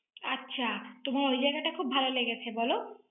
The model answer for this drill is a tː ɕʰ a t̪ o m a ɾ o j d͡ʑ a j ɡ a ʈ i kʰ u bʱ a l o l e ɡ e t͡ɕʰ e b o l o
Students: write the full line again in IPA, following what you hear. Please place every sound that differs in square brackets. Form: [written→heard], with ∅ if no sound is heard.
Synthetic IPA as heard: a tː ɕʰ a t̪ o m a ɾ o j d͡ʑ a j ɡ a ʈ [i→a] kʰ u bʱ a l o l e ɡ e t͡ɕʰ e b [o→ɔ] l o